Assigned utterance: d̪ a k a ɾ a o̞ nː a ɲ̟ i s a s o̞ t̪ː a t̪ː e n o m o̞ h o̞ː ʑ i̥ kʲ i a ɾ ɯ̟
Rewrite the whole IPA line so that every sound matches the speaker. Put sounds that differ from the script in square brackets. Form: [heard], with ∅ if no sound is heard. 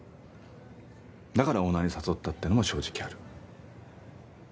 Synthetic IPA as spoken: d̪ a k a ɾ a o̞ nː a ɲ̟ i s a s o̞ t̪ː a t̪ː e n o m o̞ [ɕ] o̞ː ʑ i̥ kʲ i a ɾ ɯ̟